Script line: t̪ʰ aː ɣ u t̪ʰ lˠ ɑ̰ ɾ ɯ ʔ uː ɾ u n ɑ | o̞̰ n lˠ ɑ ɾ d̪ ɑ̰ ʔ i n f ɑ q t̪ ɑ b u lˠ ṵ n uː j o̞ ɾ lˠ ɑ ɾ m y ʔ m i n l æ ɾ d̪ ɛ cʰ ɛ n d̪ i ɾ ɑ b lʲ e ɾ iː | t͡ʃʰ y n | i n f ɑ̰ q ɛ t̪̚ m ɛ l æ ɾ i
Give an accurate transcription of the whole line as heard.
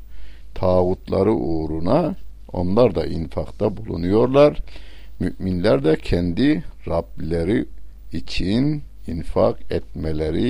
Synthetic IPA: t̪ʰ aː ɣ u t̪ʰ lˠ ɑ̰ ɾ ɯ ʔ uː ɾ u n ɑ | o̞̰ n lˠ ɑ ɾ d̪ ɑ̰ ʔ i n f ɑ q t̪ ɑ b u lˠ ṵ n u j o̞ ɾ lˠ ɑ ɾ m y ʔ m i n l æ ɾ d̪ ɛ cʰ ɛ n d̪ i ɾ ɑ b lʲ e ɾ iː | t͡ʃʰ i n | i n f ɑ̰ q ɛ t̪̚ m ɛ l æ ɾ i